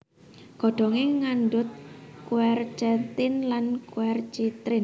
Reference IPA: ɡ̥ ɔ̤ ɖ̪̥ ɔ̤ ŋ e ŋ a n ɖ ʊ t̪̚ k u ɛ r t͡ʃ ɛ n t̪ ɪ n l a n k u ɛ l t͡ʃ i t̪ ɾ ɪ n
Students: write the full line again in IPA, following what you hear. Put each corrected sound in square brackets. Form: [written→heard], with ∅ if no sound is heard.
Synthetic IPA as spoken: ɡ̥ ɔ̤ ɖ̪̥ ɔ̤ ŋ e ŋ a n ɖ ʊ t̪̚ k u ɛ r t͡ʃ ɛ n t̪ ɪ n l a n k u ɛ [l→r] t͡ʃ i t̪ ɾ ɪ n